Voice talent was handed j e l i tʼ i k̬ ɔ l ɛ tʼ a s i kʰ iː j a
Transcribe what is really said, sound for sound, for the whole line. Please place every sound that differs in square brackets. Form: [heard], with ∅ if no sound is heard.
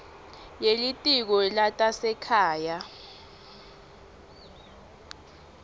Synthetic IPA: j e l i tʼ i k̬ ɔ l [a] tʼ a s [ɛ] kʰ [aː] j a